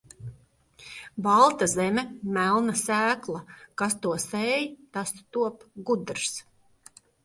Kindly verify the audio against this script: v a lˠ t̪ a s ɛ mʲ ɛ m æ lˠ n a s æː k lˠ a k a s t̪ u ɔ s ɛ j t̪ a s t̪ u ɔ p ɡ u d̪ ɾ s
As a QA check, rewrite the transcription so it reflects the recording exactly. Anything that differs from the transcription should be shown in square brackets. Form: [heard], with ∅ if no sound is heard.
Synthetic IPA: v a lˠ t̪ a [z] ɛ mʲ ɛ m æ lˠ n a s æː k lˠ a k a s t̪ u ɔ s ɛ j t̪ a s t̪ u ɔ p ɡ u d̪ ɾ s